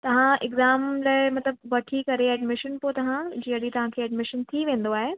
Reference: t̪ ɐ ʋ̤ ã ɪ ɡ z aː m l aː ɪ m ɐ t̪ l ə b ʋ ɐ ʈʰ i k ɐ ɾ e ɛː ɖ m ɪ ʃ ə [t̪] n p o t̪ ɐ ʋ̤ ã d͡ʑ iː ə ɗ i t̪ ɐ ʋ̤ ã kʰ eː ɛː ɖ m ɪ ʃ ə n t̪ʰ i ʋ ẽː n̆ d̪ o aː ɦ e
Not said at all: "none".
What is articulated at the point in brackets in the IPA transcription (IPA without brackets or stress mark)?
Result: none